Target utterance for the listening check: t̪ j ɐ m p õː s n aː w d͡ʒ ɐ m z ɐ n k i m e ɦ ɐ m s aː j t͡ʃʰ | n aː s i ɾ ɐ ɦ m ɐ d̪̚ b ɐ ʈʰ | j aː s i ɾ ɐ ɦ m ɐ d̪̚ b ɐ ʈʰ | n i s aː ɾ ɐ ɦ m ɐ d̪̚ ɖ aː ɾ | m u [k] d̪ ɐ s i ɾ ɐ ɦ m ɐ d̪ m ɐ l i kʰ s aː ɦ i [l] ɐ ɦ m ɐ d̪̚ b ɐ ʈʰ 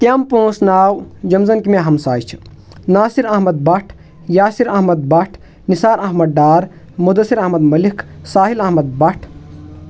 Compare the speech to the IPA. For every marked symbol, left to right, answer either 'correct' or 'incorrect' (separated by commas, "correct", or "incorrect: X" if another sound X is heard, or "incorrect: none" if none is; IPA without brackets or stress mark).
incorrect: none, correct